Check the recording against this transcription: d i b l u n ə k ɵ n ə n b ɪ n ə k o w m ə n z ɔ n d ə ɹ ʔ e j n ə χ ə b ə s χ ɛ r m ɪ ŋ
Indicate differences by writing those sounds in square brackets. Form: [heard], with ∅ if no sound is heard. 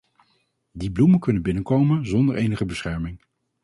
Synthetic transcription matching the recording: d i b l u [m] ə k ɵ n ə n b ɪ n ə k o w m ə n z ɔ n d ə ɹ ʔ e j n ə χ ə b ə s χ ɛ [ɹ] m ɪ ŋ

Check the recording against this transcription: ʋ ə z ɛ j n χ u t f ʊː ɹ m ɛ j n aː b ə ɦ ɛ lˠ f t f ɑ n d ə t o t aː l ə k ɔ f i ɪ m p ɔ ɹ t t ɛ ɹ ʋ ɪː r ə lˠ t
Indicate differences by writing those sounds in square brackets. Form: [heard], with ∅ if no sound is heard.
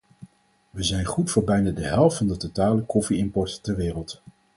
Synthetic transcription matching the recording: ʋ ə z ɛ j n χ u t f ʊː ɹ [b] ɛ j n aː [d] ə ɦ ɛ lˠ f t f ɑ n d ə t o t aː l ə k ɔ f i ɪ m p ɔ ɹ t t ɛ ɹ ʋ ɪː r ə lˠ t

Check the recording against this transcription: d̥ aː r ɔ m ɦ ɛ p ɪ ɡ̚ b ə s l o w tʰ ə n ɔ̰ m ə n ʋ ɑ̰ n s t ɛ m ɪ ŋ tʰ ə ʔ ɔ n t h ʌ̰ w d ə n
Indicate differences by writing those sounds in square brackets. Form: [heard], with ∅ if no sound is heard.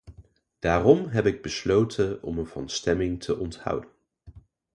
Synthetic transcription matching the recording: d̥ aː r ɔ m ɦ ɛ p ɪ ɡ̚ b ə s l o w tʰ ə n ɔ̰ m ə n [v] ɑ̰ n s t ɛ m ɪ ŋ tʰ ə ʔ ɔ n t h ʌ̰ w d ə n

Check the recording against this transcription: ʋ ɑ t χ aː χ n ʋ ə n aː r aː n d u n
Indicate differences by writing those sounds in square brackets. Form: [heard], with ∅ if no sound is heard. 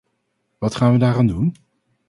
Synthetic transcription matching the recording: ʋ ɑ t χ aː [∅] n ʋ ə [d] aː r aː n d u n

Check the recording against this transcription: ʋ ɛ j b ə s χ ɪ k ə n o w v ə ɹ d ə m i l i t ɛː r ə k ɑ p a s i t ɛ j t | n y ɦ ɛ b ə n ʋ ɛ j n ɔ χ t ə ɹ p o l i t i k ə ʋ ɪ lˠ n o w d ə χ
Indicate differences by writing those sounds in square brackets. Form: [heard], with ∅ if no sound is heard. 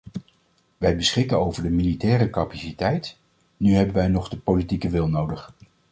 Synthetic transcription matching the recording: ʋ ɛ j b ə s χ ɪ k ə n o w v ə ɹ d ə m i l i t ɛː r ə k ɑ p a s i t ɛ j t | n y ɦ ɛ b ə n ʋ ɛ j n ɔ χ [d] ə [∅] p o l i t i k ə ʋ ɪ lˠ n o w d ə χ

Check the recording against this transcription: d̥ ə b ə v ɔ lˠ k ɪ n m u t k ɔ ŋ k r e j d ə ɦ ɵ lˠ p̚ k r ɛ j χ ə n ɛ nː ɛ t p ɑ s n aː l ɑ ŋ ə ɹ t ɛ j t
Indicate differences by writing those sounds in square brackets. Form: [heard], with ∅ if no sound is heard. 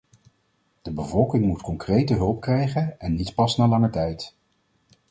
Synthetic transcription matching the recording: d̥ ə b ə v ɔ lˠ k ɪ [ŋ] m u t k ɔ ŋ k r e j [t] ə ɦ ɵ lˠ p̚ k r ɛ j χ ə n ɛ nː [i] t p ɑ s n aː l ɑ ŋ ə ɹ t ɛ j t

